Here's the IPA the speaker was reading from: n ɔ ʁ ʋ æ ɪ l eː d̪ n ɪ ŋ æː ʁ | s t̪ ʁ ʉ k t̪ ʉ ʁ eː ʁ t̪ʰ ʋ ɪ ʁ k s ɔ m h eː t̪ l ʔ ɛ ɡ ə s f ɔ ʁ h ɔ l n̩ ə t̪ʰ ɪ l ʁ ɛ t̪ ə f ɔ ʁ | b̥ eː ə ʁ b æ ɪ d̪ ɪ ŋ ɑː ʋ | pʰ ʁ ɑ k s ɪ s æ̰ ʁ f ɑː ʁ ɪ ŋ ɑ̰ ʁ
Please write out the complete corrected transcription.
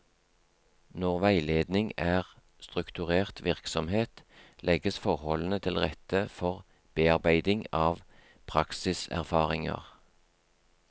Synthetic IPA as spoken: n ɔ ʁ ʋ æ ɪ l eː d̪ n ɪ ŋ æː ʁ | s t̪ ʁ ʉ k t̪ ʉ ʁ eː ʁ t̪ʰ ʋ ɪ ʁ k s ɔ m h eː t̪ l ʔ ɛ ɡ ə s f ɔ ʁ h ɔ l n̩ ə t̪ʰ ɪ l ʁ ɛ t̪ ə f ɔ ʁ | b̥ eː ɑ ʁ b æ ɪ d̪ ɪ ŋ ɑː ʋ | pʰ ʁ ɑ k s ɪ s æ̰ ʁ f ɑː ʁ ɪ ŋ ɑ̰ ʁ